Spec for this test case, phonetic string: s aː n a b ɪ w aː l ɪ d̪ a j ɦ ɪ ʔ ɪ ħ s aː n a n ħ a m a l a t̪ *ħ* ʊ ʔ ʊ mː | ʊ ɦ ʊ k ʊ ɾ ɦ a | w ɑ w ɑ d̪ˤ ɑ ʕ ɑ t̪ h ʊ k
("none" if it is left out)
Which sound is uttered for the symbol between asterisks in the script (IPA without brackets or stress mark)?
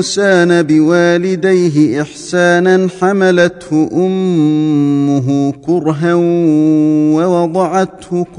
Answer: h